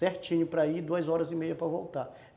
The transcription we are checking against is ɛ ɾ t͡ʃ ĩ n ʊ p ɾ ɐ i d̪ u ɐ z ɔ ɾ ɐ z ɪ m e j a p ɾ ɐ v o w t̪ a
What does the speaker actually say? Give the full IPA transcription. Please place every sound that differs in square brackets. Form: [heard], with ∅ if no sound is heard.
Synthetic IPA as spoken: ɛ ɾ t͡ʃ ĩ [ɲ] ʊ p ɾ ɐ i d̪ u ɐ z ɔ ɾ ɐ z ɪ m e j [ɐ] p ɾ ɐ v o w t̪ a